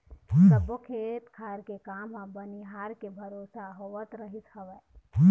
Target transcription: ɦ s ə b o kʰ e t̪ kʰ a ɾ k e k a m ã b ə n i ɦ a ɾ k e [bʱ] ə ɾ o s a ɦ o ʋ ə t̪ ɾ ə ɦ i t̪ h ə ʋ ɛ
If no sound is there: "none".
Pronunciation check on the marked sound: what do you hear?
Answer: bʱ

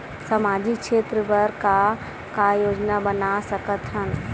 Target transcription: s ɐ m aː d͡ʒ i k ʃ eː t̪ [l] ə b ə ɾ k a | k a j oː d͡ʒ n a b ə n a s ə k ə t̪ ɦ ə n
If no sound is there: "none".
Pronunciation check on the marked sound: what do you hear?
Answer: ɾ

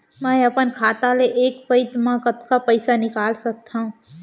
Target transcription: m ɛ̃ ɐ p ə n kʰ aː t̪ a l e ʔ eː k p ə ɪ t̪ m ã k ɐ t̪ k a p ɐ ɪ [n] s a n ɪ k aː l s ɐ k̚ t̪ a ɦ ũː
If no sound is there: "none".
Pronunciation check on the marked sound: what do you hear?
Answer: none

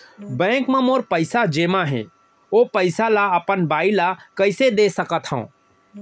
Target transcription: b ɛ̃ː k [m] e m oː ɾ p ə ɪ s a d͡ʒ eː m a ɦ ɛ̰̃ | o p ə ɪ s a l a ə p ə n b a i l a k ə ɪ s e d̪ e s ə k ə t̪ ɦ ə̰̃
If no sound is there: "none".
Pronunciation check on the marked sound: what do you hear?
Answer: m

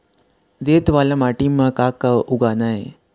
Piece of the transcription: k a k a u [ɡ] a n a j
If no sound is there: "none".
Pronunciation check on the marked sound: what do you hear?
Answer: ɡ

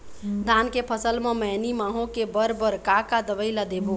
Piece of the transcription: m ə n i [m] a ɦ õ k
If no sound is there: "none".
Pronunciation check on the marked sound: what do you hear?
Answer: m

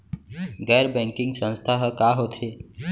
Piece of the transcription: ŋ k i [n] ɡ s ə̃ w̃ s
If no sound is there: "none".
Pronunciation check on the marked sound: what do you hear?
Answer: ŋ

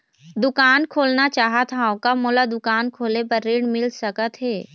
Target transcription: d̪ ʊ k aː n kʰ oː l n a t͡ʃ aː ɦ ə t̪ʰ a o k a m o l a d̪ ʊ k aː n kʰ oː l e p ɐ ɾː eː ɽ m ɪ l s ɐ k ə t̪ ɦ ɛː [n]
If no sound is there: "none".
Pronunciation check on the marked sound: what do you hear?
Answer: none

